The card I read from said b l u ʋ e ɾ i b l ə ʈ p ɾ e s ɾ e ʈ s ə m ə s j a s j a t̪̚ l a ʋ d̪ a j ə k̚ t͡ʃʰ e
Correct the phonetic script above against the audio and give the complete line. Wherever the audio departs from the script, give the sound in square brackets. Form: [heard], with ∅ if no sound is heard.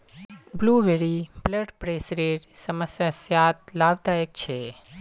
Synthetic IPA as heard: b l u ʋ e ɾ i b l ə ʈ p ɾ e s ɾ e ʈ s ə m ə s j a s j a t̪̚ l a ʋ d̪ a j ə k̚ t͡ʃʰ e